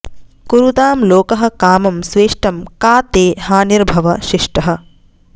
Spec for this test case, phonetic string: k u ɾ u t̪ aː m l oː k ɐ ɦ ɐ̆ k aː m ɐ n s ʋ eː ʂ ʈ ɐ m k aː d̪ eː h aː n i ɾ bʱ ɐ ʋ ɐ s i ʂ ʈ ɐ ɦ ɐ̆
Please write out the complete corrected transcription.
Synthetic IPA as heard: k u ɾ u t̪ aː m l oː k ɐ ɦ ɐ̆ k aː m ɐ m s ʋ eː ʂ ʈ ɐ m k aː t̪ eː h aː n i ɾ bʱ ɐ ʋ ɐ ʃ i ʂ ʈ ɐ ɦ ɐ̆